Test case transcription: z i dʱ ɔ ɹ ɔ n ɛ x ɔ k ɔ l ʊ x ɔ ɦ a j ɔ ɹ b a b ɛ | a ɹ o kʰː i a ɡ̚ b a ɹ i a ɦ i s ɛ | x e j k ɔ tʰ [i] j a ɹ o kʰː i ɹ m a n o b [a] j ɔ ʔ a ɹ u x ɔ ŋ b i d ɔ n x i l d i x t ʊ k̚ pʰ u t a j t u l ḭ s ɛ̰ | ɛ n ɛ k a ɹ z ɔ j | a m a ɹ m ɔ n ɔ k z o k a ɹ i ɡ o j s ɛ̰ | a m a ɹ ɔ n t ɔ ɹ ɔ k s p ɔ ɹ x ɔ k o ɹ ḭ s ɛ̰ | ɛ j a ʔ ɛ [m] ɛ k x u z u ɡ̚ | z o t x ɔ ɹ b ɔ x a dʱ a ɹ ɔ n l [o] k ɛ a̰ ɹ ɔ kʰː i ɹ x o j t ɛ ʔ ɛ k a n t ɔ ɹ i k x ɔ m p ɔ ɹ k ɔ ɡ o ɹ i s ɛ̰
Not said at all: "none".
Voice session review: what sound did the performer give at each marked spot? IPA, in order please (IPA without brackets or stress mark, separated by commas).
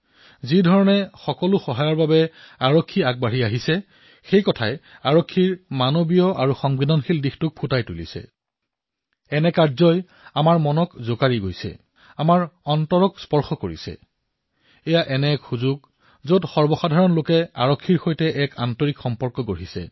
a, i, n, o